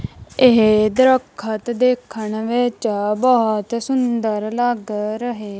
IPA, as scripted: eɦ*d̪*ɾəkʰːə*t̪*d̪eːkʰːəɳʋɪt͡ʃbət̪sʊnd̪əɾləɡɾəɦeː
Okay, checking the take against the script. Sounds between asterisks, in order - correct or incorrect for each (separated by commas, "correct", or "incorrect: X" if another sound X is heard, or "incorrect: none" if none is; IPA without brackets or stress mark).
correct, correct